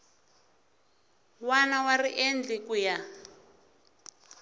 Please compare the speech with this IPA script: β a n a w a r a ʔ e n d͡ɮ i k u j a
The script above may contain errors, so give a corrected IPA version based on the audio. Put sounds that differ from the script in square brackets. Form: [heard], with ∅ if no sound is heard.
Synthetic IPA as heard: [w] a n a w a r [i] ʔ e n d͡ɮ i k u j a